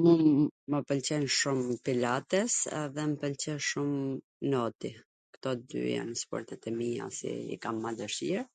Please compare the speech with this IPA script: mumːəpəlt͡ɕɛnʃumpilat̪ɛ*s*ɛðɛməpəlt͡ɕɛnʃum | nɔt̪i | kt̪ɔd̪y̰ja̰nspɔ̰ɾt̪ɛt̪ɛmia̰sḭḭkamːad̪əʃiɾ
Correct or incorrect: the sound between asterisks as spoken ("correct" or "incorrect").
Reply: correct